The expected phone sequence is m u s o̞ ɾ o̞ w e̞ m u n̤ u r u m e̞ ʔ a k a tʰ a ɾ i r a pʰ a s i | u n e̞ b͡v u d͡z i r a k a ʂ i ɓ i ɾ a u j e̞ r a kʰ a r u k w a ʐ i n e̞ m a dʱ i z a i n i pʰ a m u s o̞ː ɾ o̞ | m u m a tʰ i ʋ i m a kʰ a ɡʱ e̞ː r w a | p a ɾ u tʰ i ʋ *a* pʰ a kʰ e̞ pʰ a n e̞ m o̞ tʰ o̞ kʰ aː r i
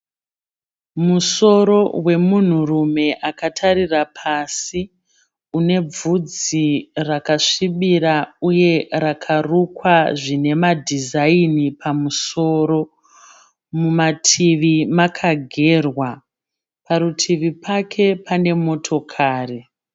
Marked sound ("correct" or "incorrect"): incorrect